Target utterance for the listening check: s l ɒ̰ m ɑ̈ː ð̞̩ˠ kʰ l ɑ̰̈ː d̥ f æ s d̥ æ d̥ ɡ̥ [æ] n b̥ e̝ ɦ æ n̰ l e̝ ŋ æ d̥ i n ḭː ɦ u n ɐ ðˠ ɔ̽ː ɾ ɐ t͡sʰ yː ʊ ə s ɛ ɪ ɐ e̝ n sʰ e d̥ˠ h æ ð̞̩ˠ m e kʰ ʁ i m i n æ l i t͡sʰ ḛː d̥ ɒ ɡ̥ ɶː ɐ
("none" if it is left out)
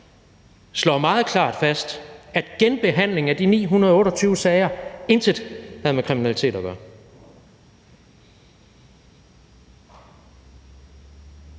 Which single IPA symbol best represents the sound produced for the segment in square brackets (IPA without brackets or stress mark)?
e